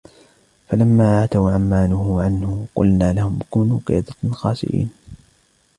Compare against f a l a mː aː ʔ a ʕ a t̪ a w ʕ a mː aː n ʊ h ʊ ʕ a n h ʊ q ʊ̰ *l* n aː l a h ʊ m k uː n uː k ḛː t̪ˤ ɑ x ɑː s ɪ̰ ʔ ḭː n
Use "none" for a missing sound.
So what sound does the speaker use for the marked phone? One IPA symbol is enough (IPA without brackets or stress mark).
l